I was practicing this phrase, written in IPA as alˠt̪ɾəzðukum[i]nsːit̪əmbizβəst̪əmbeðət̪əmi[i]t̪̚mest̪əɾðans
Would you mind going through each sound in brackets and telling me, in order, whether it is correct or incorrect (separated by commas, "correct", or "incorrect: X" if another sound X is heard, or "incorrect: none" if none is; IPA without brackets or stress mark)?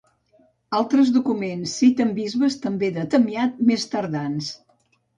incorrect: e, incorrect: a